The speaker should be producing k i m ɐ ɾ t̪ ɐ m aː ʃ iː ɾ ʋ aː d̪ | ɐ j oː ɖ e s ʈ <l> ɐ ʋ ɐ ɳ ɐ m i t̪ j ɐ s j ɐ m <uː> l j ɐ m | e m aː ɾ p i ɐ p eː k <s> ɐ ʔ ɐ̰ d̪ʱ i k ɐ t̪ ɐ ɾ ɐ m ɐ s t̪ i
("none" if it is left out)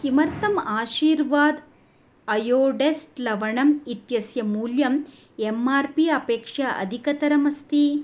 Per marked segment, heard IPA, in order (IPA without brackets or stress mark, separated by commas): l, uː, ʂ